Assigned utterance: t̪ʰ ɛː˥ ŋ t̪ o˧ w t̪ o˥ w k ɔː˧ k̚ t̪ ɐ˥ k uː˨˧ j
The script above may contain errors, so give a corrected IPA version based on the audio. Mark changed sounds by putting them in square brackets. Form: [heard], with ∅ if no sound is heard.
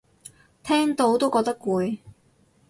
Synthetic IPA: t̪ʰ ɛː˥ ŋ t̪ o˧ w t̪ o˥ w k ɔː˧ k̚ t̪ ɐ˥ k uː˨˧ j